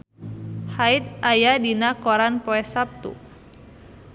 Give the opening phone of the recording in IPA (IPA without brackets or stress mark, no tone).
h